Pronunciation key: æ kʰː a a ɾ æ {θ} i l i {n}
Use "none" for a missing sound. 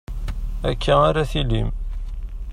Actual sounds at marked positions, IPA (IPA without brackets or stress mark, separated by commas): θ, m